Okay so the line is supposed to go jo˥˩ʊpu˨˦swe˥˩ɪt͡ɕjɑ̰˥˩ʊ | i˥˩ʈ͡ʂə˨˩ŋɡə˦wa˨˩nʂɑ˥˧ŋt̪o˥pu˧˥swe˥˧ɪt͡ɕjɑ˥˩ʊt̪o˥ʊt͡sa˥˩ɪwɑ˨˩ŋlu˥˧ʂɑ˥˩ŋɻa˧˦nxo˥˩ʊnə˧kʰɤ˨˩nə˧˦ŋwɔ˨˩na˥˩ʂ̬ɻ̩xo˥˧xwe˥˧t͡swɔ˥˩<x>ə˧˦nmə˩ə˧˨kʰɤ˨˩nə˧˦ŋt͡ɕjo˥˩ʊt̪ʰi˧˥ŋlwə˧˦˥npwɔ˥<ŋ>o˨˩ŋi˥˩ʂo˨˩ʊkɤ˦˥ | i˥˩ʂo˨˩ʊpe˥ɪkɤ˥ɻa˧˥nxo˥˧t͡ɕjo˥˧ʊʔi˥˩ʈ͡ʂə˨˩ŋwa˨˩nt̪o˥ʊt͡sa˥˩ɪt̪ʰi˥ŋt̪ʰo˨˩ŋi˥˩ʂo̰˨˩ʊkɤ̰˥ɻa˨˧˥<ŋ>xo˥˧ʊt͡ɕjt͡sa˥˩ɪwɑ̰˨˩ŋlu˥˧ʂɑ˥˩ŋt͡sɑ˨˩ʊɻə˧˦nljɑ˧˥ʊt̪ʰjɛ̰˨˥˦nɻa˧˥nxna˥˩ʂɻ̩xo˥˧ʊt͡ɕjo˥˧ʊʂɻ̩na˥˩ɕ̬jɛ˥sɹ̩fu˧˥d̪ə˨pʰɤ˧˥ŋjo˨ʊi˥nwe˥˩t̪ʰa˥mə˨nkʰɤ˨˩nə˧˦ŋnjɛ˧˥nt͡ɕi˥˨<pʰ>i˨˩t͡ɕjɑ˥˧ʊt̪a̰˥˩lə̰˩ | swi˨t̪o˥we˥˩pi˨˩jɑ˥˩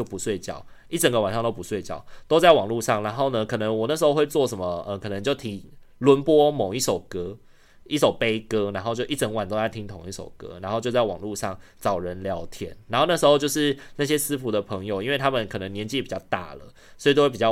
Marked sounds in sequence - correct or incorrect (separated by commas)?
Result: incorrect, incorrect, incorrect, incorrect